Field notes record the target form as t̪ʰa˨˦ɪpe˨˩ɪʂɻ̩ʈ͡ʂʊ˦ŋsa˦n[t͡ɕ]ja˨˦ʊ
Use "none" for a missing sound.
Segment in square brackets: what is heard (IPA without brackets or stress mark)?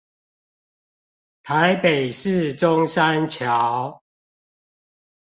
t͡ɕʰ